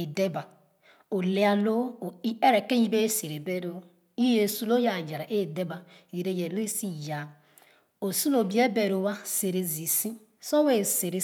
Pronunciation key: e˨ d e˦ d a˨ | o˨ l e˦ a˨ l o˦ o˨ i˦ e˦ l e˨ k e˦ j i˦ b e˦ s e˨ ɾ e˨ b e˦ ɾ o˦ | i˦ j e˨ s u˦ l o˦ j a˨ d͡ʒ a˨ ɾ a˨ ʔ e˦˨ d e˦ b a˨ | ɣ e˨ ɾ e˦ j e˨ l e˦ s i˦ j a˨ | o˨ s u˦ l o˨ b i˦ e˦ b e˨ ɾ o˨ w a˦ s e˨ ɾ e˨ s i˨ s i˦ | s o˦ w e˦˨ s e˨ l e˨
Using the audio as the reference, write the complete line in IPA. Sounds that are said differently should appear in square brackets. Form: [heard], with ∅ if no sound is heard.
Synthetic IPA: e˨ d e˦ [b] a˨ | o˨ l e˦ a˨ l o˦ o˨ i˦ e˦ [ɾ] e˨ k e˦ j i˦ b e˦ s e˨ ɾ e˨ b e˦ ɾ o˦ | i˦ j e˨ s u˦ l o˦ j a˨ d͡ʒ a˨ ɾ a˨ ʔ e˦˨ d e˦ b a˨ | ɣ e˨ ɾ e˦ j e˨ l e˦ s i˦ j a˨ | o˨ s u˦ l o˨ b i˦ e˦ b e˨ ɾ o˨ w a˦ s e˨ ɾ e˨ [z] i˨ s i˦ | s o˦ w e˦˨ s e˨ [ɾ] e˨